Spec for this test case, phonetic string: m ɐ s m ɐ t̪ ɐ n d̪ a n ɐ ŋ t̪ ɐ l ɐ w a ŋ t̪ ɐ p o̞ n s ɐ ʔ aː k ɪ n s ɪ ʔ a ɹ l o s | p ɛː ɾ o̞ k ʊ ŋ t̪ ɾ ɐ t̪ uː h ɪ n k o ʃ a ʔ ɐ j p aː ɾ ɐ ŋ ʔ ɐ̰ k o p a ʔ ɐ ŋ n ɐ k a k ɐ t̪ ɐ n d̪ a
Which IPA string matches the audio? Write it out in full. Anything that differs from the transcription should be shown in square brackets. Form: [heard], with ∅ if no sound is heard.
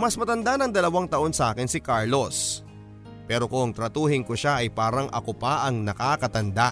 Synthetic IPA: m ɐ s m ɐ t̪ ɐ n d̪ a n ɐ ŋ [d̪] ɐ l ɐ w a ŋ t̪ ɐ [ʔ] o̞ n s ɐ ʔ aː k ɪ n s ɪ [k] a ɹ l o s | p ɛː ɾ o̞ k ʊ ŋ t̪ ɾ ɐ t̪ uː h ɪ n k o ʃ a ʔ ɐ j p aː ɾ ɐ ŋ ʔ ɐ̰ k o p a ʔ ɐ ŋ n ɐ k a k ɐ t̪ ɐ n d̪ a